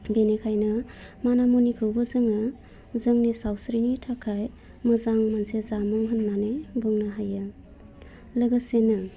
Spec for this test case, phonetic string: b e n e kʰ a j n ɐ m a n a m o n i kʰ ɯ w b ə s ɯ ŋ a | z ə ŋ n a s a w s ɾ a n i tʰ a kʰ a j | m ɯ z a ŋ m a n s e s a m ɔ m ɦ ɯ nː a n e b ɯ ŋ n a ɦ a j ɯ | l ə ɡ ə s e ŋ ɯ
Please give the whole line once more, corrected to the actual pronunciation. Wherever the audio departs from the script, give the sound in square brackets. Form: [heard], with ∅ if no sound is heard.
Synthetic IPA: b e n e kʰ a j n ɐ m a n a m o n i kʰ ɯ w b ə [z] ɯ ŋ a | z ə ŋ n [i] s a w s ɾ [i] n i tʰ a kʰ a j | m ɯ z a ŋ m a n s e [z] a m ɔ [ŋ] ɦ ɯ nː a n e b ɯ ŋ n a ɦ a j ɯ | l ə ɡ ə s e [n] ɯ